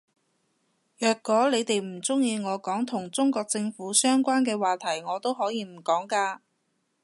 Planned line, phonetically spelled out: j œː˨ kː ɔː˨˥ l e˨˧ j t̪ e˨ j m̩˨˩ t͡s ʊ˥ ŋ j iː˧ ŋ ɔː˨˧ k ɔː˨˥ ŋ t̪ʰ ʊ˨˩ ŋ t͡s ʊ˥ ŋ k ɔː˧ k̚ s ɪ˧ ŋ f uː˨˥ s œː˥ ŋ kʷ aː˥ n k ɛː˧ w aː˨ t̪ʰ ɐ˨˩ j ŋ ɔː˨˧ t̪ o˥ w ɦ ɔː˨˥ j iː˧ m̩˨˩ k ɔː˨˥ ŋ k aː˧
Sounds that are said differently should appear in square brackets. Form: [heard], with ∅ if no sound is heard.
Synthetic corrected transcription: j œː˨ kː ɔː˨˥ l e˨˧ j t̪ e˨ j m̩˨˩ t͡s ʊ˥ ŋ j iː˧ ŋ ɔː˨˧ k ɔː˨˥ ŋ t̪ʰ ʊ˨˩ ŋ t͡s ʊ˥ ŋ k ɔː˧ k̚ [t͡s] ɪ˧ ŋ f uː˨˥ s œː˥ ŋ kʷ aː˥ n k ɛː˧ w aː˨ t̪ʰ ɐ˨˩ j ŋ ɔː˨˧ t̪ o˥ w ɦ ɔː˨˥ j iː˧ m̩˨˩ k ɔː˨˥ ŋ k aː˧